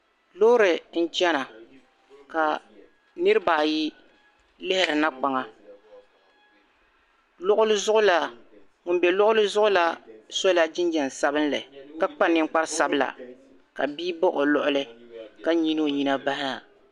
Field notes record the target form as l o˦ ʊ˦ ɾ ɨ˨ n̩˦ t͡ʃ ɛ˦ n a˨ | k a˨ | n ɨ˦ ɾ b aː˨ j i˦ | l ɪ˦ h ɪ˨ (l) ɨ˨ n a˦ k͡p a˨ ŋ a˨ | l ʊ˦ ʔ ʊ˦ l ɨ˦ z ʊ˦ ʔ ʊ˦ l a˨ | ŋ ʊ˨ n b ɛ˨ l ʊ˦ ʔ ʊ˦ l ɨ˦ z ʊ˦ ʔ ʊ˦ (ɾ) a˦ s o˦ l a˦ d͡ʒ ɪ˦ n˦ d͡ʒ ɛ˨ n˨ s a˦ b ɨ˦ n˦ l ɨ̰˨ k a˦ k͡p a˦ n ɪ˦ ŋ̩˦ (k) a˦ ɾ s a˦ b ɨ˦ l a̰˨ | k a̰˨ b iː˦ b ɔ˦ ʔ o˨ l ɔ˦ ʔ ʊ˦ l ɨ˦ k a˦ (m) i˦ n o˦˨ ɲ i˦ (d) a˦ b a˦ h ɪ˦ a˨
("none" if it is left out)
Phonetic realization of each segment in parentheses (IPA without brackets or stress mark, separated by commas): ɾ, l, k͡p, ɲ, n